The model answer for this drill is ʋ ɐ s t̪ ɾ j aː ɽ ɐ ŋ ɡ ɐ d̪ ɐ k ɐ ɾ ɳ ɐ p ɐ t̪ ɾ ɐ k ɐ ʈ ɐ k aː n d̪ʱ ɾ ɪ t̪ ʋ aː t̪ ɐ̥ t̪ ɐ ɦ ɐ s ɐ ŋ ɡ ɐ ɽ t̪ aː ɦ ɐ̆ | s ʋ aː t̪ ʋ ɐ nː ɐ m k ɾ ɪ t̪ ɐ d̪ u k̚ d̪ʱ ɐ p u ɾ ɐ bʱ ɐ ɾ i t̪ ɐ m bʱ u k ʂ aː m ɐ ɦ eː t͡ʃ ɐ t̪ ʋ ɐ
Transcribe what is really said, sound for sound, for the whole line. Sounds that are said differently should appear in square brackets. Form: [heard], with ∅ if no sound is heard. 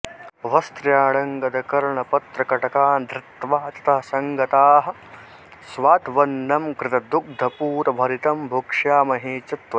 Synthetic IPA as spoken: ʋ ɐ s t̪ ɾ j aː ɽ ɐ ŋ ɡ ɐ d̪ ɐ k ɐ ɾ ɳ ɐ p ɐ t̪ ɾ ɐ k ɐ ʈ ɐ k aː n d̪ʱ ɾ ɪ t̪ ʋ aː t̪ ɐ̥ t̪ ɐ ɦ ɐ s ɐ ŋ ɡ ɐ [∅] t̪ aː ɦ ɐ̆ | s ʋ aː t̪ ʋ ɐ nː ɐ m k ɾ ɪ t̪ ɐ d̪ u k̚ d̪ʱ ɐ p [uː] ɾ ɐ bʱ ɐ ɾ i t̪ ɐ m bʱ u k ʂ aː m ɐ ɦ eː t͡ʃ ɐ t̪ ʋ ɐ